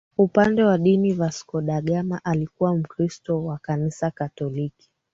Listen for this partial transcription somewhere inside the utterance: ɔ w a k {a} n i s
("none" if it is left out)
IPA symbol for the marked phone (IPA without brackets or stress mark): a